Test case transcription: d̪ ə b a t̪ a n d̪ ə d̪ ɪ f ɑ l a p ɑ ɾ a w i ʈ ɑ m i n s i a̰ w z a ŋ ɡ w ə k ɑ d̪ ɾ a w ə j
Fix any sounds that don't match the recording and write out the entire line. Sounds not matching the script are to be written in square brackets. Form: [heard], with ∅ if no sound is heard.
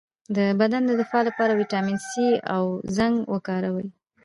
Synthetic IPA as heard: d̪ ə b a [d̪] a n d̪ ə d̪ ɪ f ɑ l a p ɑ ɾ a w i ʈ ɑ m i n s i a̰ w z a ŋ ɡ w ə k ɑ [∅] ɾ a w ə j